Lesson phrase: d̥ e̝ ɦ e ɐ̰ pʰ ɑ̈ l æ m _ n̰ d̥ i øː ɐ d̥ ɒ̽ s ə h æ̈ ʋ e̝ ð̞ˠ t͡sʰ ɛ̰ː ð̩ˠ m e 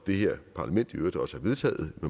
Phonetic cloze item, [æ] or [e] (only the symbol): e